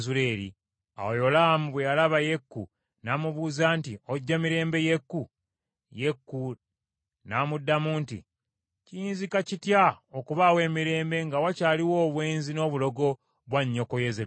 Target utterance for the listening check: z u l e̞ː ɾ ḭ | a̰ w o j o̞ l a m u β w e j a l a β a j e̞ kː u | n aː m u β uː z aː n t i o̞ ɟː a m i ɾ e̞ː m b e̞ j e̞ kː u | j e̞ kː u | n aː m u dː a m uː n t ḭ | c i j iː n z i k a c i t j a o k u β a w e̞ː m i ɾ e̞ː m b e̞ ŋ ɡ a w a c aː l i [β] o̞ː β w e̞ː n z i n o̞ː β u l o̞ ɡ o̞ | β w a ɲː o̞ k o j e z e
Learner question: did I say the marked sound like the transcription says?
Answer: no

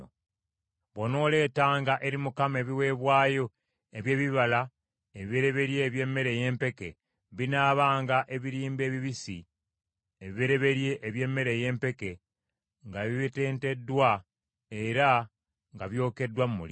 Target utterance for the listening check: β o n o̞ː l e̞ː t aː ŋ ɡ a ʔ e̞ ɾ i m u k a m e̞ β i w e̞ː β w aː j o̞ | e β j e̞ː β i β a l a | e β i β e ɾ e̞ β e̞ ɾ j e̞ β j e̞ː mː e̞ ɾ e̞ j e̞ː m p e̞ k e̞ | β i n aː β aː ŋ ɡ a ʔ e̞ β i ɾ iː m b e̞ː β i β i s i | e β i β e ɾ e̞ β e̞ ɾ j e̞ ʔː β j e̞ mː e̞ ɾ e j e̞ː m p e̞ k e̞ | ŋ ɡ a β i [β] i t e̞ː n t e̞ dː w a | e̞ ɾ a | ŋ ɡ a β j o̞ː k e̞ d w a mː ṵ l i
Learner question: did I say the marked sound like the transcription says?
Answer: yes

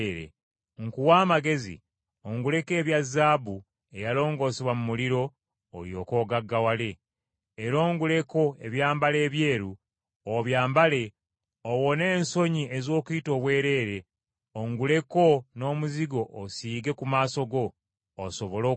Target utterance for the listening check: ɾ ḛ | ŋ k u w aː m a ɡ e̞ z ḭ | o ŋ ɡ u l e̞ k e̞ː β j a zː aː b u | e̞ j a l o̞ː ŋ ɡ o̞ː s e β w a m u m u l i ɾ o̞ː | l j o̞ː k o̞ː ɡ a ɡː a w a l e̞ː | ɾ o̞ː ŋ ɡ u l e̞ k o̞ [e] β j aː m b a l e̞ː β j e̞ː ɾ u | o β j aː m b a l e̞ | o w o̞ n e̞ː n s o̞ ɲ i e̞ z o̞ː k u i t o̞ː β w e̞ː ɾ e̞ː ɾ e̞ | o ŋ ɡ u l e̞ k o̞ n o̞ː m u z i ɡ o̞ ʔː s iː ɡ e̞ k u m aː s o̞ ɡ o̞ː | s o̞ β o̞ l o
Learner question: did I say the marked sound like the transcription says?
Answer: yes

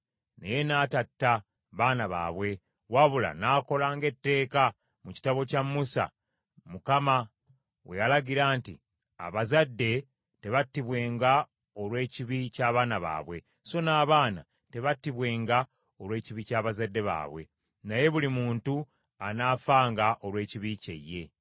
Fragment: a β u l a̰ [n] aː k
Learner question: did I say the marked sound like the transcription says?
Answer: yes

